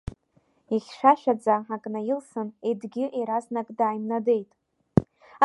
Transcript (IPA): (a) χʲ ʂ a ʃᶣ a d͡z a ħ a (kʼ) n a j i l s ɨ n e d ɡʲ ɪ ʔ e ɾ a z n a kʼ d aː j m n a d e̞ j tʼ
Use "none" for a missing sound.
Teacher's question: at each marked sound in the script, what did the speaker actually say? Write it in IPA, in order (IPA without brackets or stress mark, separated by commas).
i, kʼ